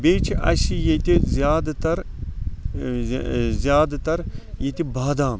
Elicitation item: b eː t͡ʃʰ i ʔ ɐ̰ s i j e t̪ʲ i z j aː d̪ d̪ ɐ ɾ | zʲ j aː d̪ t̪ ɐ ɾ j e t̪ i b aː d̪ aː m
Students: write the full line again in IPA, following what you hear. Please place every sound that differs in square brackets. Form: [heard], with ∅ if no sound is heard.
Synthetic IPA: b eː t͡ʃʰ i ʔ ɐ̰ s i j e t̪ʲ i z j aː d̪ [t̪] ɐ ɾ | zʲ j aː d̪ t̪ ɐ ɾ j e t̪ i b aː d̪ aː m